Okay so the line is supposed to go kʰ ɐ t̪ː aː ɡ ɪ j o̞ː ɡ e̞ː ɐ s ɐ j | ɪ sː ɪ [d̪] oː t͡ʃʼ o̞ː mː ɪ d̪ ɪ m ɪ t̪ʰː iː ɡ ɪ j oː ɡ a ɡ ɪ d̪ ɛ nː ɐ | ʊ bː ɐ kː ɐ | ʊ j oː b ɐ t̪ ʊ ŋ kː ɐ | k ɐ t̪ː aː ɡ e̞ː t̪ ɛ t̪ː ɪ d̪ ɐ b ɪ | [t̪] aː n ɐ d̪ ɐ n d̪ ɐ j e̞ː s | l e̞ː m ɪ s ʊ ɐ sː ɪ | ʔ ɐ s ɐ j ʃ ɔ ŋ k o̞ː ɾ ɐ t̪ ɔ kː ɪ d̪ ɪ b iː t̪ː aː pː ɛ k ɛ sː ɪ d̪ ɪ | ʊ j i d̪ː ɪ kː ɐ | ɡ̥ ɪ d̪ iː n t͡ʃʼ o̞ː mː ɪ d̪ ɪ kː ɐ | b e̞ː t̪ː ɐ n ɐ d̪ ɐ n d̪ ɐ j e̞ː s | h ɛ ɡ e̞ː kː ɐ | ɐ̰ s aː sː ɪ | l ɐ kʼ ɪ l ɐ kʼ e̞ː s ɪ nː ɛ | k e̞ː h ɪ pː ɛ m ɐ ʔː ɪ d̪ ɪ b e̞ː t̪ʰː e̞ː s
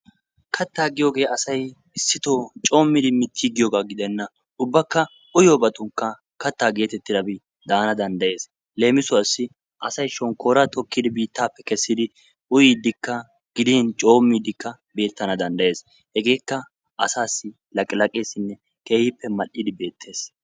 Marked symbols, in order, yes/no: no, no

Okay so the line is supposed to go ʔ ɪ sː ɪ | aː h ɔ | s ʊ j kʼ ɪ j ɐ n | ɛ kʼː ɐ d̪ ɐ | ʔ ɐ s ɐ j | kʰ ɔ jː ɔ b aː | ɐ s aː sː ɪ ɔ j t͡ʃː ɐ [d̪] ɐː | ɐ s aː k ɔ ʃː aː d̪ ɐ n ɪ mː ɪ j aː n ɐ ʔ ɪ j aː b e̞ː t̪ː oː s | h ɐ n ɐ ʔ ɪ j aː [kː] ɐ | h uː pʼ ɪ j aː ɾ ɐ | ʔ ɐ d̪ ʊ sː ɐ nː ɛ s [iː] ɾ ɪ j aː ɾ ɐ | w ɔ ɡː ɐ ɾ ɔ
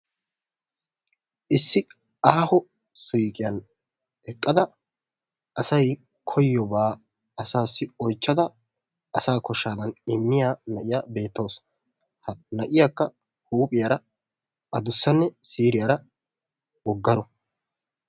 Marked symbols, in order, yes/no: yes, yes, yes

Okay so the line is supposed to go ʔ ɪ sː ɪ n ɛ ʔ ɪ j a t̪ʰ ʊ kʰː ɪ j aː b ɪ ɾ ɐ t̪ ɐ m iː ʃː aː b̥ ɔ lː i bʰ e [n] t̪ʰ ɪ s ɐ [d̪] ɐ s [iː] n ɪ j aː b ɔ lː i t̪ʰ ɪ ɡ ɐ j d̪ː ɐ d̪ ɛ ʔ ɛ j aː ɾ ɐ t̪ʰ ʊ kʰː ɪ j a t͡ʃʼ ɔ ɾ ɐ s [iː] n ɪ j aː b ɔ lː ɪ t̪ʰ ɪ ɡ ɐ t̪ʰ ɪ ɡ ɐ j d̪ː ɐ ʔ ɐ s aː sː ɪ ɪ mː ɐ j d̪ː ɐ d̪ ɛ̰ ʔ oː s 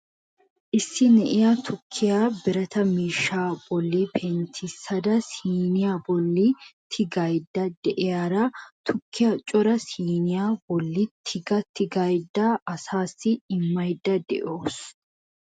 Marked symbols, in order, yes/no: yes, yes, yes, yes

